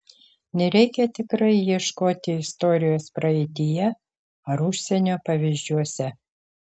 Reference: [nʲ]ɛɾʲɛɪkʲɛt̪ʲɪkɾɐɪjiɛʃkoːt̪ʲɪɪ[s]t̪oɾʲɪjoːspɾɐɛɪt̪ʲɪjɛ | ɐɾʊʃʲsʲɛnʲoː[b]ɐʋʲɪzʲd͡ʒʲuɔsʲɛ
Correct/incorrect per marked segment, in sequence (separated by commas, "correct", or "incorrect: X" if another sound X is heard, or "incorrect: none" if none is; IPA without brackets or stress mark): correct, correct, incorrect: p